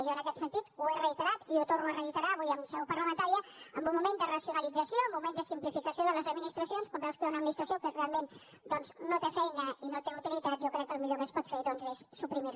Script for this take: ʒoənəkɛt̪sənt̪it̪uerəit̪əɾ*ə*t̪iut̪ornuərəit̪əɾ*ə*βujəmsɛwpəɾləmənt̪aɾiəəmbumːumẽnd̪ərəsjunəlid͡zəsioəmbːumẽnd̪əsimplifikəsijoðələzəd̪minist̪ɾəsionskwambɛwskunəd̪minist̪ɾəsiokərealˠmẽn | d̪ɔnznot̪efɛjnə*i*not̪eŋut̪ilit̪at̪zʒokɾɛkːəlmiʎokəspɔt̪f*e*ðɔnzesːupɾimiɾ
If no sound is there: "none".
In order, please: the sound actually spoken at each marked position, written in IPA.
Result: a, a, i, e

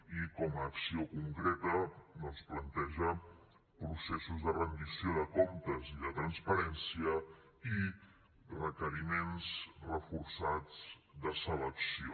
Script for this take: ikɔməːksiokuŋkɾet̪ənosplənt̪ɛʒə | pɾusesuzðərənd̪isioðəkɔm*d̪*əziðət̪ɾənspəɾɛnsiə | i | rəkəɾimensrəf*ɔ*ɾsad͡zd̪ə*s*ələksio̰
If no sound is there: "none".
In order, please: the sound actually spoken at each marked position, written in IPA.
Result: t̪, u, s

